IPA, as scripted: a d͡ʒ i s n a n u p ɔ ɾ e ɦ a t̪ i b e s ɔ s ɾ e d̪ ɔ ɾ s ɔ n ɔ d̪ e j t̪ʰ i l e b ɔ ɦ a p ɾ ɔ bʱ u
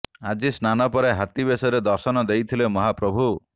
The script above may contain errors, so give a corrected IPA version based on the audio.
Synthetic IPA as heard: a d͡ʒ i s n a n ɔ p ɔ ɾ e ɦ a t̪ i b e s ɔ ɾ e d̪ ɔ ɾ s ɔ n ɔ d̪ e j t̪ʰ i l e m ɔ ɦ a p ɾ ɔ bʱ u